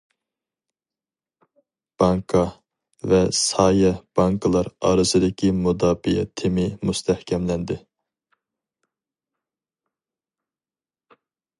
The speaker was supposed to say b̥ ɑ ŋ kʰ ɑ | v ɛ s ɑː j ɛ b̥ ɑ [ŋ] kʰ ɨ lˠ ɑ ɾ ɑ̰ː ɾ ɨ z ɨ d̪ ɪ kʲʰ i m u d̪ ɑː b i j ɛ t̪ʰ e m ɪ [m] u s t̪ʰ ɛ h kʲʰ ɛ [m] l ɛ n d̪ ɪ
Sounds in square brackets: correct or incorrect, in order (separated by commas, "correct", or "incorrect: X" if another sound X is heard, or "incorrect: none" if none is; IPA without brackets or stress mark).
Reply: correct, correct, correct